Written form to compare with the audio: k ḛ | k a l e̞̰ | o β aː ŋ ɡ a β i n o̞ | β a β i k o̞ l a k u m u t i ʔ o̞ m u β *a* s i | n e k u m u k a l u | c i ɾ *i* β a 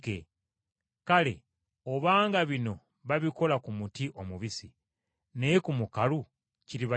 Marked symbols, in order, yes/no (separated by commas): no, yes